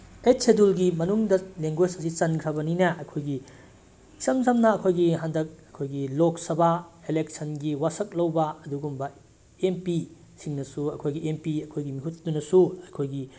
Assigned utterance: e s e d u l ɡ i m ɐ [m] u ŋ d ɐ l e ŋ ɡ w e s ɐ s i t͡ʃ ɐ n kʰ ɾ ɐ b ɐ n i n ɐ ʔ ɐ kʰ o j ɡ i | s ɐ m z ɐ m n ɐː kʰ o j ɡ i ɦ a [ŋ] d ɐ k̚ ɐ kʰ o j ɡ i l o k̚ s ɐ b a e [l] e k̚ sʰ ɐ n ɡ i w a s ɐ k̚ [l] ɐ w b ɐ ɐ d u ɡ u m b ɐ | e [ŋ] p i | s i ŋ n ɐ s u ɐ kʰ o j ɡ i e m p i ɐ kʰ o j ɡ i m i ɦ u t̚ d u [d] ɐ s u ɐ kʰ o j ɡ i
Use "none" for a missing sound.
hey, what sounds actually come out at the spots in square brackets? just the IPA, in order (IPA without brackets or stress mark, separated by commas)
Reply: n, n, l, l, m, n